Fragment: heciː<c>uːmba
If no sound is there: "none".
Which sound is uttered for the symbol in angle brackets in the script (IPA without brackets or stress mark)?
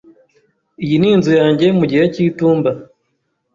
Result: t